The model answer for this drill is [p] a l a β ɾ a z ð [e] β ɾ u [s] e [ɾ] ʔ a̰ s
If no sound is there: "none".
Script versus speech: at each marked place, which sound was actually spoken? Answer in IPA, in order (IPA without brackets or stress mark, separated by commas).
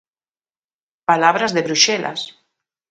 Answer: p, e, ʃ, l